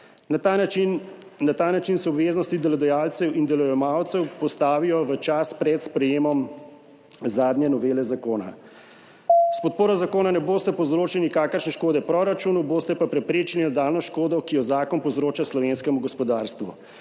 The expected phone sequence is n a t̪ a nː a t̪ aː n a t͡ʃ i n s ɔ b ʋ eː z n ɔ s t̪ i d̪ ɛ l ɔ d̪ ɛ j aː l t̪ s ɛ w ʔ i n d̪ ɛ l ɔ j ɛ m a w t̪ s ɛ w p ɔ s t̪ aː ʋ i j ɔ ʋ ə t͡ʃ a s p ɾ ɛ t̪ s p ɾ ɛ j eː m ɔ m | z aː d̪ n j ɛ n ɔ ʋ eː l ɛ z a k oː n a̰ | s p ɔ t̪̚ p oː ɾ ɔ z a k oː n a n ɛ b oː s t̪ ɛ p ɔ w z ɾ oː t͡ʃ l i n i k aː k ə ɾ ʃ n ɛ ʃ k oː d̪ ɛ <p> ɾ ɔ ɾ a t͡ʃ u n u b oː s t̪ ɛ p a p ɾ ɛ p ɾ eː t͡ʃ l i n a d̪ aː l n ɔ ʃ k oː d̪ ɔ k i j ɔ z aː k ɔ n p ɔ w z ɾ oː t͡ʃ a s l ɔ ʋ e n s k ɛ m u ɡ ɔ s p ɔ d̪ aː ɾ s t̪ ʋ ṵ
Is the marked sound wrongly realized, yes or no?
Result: no